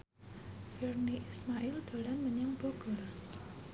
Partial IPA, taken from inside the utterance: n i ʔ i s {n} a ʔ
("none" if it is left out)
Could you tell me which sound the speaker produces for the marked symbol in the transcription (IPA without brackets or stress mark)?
m